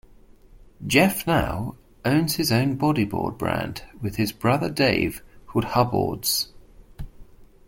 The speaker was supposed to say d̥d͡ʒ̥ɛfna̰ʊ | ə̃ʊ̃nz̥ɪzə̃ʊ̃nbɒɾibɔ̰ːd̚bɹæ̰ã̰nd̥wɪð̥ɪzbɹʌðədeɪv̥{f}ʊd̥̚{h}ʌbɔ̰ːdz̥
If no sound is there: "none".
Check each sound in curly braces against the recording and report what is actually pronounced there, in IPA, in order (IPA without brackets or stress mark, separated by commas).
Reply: h, h